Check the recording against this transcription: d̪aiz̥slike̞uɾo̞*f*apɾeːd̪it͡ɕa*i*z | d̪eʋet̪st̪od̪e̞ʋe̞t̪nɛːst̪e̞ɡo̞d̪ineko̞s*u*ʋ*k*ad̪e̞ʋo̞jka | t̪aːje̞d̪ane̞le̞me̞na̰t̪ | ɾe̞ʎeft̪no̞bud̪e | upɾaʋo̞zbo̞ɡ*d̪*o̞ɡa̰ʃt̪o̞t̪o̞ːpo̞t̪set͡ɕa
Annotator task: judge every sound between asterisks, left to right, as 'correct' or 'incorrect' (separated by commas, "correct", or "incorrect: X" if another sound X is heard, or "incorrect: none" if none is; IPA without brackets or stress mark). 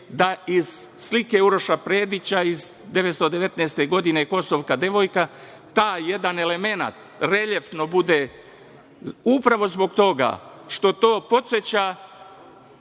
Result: incorrect: ʃ, correct, incorrect: o, correct, incorrect: t̪